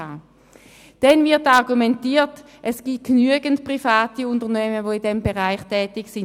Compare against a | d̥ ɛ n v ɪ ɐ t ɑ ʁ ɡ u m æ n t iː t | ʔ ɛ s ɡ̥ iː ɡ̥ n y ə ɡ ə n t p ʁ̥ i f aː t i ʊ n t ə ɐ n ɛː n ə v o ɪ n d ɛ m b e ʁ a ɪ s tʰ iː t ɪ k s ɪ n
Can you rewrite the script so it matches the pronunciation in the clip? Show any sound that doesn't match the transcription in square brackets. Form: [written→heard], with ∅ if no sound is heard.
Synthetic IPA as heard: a | d̥ ɛ n v ɪ ɐ t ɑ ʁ ɡ u m [æ→ɛ] n t iː t | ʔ ɛ s ɡ̥ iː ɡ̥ n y ə ɡ ə n t p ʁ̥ i f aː t i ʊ n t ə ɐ n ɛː [n→m] ə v o ɪ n d ɛ m b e ʁ a ɪ [s→χ] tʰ [iː→ɛː] t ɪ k s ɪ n

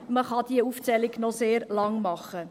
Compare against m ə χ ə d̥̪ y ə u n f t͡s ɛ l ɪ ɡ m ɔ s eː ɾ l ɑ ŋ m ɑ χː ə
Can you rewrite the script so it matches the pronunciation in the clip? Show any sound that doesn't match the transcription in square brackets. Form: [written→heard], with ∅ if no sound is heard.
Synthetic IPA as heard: m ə χ [ə→ɑ] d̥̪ [y→i] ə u [n→∅] f t͡s ɛ l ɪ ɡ [m→n] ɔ s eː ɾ l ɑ ŋ m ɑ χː ə

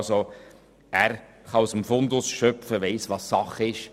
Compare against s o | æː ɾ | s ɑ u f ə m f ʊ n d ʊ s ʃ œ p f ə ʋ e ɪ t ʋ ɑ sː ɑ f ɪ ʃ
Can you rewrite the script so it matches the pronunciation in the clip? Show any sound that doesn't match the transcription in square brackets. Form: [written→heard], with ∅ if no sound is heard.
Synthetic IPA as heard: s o | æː ɾ | [s→χ] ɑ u [f→s] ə m f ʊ n d ʊ s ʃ œ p f ə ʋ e ɪ [t→s] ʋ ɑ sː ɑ [f→χ] ɪ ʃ

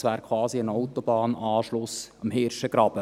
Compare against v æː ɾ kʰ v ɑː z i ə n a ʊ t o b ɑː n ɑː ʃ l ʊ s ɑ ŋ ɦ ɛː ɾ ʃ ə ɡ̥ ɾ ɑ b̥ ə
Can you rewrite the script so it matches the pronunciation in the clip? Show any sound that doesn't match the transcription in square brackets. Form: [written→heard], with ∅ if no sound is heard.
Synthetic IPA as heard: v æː ɾ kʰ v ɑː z i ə n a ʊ t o b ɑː n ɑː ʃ l ʊ s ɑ [ŋ→m] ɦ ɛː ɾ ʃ ə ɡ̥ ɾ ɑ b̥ ə

